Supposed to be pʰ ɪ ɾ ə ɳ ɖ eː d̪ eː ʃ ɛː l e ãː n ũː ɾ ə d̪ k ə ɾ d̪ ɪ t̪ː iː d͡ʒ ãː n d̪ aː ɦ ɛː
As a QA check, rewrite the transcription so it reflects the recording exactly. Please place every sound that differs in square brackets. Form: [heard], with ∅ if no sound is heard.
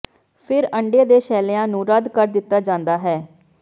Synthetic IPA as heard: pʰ ɪ ɾ ə ɳ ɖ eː d̪ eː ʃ ɛː l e ãː n ũː ɾ ə d̪ k ə ɾ d̪ ɪ t̪ː [aː] d͡ʒ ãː n d̪ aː ɦ ɛː